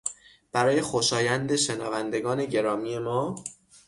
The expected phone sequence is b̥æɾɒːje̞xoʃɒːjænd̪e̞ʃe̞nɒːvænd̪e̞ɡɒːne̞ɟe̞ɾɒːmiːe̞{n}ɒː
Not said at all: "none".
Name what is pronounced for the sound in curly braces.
m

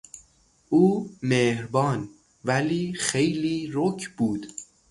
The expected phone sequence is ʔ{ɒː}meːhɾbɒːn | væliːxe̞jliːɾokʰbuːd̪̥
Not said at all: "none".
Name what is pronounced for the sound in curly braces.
uː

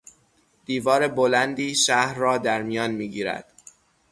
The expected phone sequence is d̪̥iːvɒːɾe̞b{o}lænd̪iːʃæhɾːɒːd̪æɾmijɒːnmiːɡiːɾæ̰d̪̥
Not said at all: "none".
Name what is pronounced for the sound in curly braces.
o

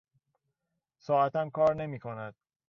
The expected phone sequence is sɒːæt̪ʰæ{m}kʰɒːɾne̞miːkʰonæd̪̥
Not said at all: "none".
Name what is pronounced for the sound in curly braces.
m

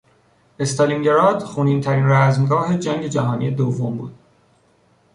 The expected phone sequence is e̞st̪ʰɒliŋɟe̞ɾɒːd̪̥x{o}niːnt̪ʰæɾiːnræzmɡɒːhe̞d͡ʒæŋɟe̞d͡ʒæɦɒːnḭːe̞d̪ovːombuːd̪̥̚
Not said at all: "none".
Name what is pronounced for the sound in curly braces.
u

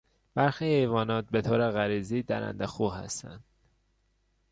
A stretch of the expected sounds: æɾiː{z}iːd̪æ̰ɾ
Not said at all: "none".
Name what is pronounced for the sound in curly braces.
z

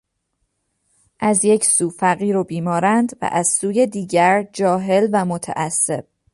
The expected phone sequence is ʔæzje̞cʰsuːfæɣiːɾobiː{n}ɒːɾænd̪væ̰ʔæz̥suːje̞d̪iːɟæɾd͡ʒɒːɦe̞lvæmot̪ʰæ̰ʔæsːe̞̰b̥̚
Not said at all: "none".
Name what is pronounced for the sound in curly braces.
m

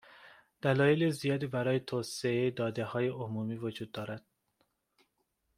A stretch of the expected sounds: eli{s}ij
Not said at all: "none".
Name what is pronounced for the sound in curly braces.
z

